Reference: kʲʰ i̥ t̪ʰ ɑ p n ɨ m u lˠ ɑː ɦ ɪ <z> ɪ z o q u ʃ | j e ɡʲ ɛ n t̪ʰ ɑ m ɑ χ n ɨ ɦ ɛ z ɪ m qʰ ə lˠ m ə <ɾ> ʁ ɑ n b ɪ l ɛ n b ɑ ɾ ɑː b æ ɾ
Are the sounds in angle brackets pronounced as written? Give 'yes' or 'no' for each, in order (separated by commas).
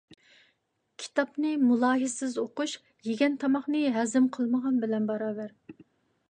no, no